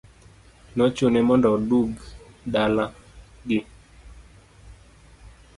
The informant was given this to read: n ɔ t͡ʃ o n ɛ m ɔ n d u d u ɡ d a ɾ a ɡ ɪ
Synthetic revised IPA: n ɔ t͡ʃ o n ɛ m ɔ n d ɔ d u ɡ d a l a ɡ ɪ